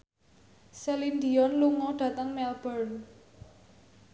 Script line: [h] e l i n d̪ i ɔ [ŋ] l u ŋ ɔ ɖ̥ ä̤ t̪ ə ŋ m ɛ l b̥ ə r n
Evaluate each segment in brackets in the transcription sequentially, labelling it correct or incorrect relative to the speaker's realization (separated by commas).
incorrect, incorrect